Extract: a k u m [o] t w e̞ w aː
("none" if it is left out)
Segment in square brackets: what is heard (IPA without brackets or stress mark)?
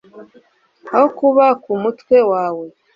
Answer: u